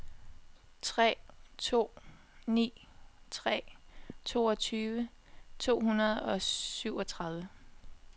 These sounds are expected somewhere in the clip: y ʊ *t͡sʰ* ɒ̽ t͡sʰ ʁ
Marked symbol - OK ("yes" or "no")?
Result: no